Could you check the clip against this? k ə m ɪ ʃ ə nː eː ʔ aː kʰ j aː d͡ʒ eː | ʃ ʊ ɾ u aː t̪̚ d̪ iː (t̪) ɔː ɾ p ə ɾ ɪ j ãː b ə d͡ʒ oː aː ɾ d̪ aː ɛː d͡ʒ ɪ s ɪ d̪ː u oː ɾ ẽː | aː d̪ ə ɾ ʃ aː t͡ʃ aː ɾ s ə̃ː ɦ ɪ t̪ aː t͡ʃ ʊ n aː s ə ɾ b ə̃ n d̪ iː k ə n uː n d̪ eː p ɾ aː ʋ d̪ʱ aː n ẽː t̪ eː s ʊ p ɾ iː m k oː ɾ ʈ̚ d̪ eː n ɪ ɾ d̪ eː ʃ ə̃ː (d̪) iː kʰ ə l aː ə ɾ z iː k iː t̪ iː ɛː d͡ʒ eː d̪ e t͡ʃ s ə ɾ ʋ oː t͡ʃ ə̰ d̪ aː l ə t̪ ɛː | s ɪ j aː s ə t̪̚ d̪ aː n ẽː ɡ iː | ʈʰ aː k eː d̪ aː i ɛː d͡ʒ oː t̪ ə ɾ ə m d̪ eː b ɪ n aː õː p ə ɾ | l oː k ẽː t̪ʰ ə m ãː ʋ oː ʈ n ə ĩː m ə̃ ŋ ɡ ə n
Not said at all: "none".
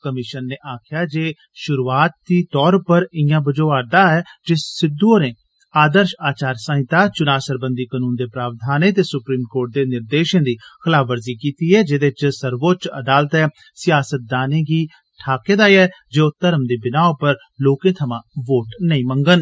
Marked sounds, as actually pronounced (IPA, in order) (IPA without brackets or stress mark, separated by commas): t̪, d̪